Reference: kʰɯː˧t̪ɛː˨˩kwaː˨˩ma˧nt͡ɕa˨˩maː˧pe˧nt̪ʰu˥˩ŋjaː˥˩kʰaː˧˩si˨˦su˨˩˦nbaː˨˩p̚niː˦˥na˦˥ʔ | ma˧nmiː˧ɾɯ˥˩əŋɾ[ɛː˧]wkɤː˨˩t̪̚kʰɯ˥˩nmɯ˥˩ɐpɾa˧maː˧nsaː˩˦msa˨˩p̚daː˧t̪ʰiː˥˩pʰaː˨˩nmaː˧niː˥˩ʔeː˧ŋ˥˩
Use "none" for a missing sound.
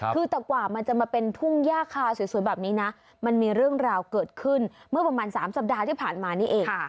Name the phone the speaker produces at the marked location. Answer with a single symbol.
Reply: aː˧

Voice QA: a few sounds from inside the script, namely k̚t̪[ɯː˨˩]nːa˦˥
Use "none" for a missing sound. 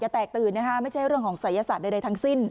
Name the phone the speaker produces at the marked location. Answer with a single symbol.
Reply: ɯː˨˩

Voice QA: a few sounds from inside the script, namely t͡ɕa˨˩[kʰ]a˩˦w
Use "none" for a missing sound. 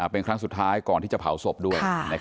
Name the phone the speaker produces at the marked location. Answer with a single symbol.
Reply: pʰ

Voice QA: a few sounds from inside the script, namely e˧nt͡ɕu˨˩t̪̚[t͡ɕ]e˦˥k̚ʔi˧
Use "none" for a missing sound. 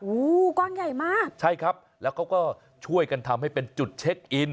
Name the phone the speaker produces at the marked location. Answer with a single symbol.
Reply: t͡ɕʰ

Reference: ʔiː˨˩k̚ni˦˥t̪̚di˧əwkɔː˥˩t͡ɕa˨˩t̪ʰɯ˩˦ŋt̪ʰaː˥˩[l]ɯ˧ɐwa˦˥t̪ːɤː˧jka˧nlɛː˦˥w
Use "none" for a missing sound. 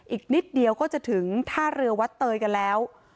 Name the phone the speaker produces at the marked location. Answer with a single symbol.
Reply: ɾ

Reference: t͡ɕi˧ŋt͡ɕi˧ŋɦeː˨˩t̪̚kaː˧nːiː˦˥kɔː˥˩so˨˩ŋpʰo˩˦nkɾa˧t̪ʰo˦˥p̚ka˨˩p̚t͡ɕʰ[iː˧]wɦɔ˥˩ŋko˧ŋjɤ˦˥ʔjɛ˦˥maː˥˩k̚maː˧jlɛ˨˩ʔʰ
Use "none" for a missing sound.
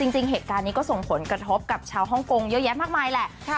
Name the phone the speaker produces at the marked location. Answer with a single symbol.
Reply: aː˧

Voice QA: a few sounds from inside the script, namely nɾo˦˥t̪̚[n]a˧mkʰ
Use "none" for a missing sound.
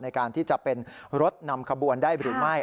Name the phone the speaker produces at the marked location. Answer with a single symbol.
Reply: n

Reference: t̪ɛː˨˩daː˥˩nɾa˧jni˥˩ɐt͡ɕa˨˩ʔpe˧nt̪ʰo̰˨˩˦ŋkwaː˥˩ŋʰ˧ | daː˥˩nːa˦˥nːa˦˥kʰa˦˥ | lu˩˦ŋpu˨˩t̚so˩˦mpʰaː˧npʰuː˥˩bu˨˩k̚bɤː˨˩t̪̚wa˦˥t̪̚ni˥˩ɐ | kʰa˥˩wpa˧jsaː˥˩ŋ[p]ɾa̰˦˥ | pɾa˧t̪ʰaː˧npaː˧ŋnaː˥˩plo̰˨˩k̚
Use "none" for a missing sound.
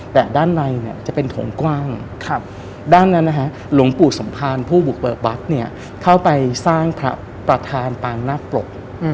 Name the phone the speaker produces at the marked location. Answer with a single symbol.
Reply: pʰ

